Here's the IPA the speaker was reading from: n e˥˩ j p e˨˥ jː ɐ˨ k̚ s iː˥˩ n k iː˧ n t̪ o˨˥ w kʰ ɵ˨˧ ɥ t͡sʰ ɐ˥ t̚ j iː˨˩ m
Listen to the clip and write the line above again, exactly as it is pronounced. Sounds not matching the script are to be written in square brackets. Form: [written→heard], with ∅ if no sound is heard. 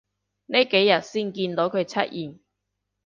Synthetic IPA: n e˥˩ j [p→k] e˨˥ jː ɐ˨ [k̚→t̚] s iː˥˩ n k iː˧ n t̪ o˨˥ w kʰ ɵ˨˧ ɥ t͡sʰ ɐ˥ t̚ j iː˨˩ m